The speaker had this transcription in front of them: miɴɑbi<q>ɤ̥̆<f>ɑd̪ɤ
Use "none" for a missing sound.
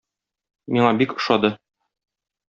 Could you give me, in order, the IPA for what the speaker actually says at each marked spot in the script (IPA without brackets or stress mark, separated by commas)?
k, ʃ